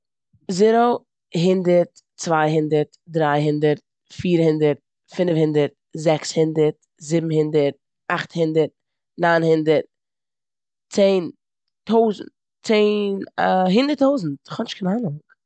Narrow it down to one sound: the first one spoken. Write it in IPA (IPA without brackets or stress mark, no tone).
z